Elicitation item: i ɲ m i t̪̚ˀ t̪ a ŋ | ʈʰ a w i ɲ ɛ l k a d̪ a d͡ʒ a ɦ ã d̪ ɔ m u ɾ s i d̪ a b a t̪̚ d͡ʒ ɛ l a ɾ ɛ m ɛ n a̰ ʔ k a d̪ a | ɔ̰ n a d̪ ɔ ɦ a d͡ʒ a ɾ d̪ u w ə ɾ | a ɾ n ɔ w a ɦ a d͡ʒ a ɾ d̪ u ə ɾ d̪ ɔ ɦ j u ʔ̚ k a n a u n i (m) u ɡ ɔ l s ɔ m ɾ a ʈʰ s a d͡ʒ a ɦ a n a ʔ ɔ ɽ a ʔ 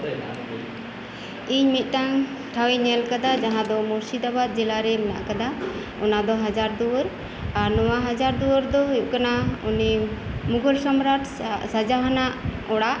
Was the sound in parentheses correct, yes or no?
yes